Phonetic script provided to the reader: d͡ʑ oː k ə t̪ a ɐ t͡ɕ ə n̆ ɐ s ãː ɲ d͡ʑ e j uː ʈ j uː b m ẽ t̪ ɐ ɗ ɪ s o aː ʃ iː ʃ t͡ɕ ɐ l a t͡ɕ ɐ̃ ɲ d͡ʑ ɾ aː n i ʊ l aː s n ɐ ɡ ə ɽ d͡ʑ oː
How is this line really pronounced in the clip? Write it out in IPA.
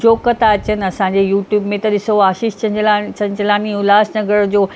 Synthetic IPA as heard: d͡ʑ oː k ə t̪ a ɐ t͡ɕ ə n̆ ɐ s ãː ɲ d͡ʑ e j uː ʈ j uː b m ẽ t̪ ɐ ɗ ɪ s o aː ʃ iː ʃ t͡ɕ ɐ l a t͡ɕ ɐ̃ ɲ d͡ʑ l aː n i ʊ l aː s n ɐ ɡ ə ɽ d͡ʑ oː